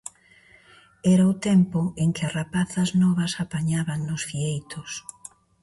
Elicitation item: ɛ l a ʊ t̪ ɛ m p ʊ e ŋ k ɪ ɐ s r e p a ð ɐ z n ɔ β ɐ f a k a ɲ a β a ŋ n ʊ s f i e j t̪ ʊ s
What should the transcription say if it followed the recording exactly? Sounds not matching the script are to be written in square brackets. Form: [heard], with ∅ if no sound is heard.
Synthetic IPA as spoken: ɛ [ɾ] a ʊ t̪ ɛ m p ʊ e ŋ k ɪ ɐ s r [a] p a [θ] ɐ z n ɔ β ɐ [s] a [p] a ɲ a β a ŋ n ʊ s f i e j t̪ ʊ s